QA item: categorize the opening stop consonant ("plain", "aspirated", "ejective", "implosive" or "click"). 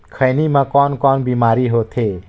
aspirated